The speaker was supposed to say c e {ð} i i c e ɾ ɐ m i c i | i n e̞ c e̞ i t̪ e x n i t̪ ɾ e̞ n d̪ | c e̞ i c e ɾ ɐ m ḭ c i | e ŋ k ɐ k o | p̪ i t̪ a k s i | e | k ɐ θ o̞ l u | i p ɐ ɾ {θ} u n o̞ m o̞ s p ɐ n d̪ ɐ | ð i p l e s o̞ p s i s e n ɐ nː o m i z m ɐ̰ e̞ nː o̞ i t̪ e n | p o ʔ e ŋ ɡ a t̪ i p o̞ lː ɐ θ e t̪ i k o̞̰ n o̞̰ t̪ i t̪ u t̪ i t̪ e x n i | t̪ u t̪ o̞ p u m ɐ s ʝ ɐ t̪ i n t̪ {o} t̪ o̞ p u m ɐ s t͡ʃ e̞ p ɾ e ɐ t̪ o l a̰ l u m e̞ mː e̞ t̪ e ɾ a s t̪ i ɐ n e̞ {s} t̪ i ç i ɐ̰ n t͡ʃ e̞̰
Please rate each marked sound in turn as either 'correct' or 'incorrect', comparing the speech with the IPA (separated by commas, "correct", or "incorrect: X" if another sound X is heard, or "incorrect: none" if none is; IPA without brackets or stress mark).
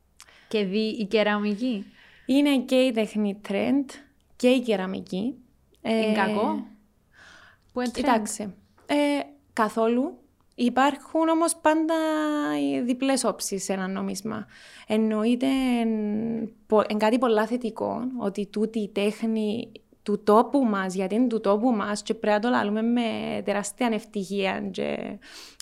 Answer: correct, incorrect: x, incorrect: u, incorrect: f